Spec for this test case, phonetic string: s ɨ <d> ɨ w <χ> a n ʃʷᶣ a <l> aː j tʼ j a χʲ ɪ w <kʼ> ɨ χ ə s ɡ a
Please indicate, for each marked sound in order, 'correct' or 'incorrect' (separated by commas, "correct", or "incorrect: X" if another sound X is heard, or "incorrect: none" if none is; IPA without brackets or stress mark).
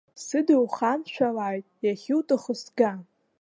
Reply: correct, correct, correct, incorrect: tʼ